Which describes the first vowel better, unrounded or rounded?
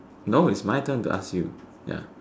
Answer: rounded